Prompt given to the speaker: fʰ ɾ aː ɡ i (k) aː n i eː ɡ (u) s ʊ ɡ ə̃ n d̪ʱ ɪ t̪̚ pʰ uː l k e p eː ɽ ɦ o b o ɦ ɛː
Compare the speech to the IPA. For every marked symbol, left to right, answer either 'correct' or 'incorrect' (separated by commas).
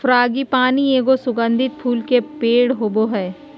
incorrect, incorrect